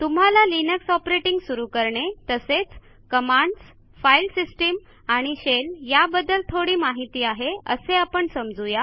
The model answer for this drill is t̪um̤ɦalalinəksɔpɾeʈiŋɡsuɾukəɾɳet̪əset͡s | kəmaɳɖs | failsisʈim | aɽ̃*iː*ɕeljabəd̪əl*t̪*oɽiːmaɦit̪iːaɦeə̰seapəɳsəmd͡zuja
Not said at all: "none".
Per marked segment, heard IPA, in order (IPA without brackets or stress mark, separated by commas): i, t̪ʰ